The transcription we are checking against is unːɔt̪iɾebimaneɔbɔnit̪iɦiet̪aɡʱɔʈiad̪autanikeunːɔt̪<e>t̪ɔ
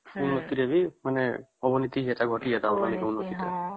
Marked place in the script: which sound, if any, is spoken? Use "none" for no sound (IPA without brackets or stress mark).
i